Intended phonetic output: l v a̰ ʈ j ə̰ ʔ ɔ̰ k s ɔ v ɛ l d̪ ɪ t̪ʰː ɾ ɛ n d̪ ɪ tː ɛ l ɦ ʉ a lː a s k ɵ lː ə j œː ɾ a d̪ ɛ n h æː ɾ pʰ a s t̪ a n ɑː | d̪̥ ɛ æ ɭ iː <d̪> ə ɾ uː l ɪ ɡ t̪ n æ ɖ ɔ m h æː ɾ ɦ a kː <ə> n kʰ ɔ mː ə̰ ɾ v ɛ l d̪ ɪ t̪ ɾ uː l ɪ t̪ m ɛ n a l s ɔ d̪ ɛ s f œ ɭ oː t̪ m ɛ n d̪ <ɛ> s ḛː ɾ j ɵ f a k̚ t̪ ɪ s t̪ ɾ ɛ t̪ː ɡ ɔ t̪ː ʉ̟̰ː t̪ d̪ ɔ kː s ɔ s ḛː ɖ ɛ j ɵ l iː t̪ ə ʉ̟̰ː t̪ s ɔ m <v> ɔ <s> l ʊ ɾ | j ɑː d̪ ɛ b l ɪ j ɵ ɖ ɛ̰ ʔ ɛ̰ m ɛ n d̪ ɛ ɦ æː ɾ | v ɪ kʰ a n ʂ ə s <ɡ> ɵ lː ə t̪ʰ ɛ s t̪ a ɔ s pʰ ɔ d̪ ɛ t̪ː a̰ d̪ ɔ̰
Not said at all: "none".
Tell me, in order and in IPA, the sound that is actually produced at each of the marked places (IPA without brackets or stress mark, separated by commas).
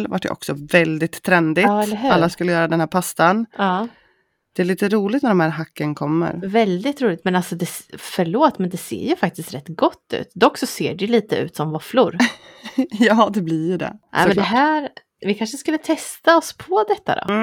t̪, ə, ɛ, v, f, k